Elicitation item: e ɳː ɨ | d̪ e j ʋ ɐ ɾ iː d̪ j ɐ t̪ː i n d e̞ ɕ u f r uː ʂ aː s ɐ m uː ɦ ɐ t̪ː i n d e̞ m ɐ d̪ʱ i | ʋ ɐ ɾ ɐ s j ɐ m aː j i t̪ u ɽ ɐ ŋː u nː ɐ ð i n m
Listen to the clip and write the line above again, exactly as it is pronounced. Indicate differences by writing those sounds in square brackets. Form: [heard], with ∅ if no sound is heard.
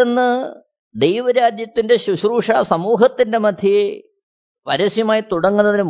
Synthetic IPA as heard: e [nː] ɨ | d̪ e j ʋ ɐ ɾ [aː] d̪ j ɐ t̪ː i n d e̞ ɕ u [ɕ] r uː ʂ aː s ɐ m uː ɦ ɐ t̪ː i n d e̞ m ɐ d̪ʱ i | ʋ ɐ ɾ ɐ s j ɐ m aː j i t̪ u ɽ ɐ ŋː u nː ɐ ð i n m